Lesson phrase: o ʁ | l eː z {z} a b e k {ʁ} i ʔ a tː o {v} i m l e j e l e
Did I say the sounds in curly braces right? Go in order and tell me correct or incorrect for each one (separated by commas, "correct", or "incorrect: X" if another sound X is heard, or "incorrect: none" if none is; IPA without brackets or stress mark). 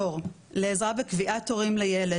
incorrect: ʁ, incorrect: v, incorrect: ʁ